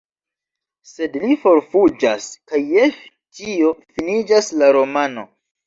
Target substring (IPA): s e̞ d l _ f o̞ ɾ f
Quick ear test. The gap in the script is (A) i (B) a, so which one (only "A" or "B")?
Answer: A